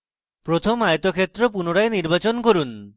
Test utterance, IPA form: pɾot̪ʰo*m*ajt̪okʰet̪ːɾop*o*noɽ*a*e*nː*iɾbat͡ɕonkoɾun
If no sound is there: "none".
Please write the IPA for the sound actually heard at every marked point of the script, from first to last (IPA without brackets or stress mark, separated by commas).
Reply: m, u, a, n